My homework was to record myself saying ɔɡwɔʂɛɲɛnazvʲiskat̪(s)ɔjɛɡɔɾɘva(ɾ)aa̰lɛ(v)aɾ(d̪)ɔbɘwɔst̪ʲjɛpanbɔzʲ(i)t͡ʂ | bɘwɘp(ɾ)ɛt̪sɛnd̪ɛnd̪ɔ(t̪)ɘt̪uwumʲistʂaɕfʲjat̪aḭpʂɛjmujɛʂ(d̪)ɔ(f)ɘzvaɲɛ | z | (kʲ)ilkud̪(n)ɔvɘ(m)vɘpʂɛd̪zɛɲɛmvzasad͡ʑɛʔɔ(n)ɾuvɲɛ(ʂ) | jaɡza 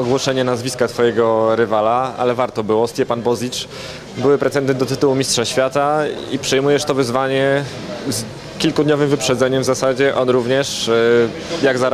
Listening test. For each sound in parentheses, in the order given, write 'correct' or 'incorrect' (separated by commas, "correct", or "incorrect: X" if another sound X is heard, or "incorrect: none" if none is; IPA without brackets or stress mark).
incorrect: f, incorrect: l, correct, incorrect: t̪, correct, correct, correct, incorrect: t̪, incorrect: v, correct, incorrect: ɲ, correct, correct, correct